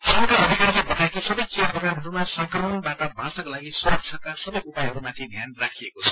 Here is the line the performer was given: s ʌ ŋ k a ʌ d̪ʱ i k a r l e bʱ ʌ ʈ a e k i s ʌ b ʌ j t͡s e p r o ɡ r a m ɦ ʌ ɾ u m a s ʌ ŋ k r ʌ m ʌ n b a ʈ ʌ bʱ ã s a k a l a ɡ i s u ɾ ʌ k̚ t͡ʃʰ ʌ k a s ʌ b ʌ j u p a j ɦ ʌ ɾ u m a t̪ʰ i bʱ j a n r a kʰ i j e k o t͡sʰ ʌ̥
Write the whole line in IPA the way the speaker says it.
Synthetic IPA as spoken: s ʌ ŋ k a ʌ d̪ʱ i k a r l e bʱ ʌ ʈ a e k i s ʌ b ʌ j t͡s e p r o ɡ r a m ɦ ʌ ɾ u m a s ʌ ŋ k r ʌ m ʌ n b a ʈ ʌ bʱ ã s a k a l a ɡ i s u ɾ ʌ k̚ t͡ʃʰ ʌ k a s ʌ b ʌ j u p a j ɦ ʌ ɾ u m a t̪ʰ i bʱ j a n r a kʰ i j e k o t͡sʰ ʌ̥